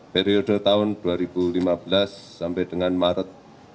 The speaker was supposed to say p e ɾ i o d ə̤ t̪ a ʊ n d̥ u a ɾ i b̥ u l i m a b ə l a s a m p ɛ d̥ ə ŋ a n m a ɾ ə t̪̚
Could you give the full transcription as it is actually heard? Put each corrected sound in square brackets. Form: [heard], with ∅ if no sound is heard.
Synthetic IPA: p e ɾ i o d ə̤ t̪ a ʊ n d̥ u a ɾ i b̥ u l i m a b ə l a [sː] a m p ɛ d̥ ə ŋ a n m a ɾ ə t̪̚